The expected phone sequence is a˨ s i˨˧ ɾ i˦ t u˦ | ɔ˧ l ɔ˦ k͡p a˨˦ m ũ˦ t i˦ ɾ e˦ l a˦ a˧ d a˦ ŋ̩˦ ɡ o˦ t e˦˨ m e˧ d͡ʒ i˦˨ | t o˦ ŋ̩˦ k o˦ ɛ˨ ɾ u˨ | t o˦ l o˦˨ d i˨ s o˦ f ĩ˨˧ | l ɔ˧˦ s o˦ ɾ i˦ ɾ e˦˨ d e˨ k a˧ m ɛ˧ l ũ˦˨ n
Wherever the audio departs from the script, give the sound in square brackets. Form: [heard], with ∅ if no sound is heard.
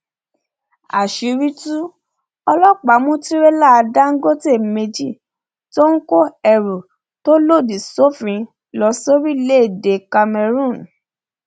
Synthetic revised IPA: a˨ [ʃ] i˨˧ ɾ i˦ t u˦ | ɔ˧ l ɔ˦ k͡p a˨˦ m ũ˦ t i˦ ɾ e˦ l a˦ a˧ d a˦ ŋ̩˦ ɡ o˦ t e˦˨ m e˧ d͡ʒ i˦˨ | t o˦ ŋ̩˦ k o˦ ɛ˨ ɾ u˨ | t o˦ l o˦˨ d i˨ s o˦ f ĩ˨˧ | l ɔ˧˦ s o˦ ɾ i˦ [l] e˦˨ d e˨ k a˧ m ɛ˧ [ɾ] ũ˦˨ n